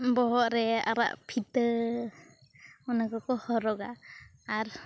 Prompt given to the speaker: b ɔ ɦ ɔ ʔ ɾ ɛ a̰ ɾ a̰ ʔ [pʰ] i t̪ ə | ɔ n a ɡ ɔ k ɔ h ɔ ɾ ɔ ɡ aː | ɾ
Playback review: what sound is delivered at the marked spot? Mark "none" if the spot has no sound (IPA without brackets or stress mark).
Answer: pʰ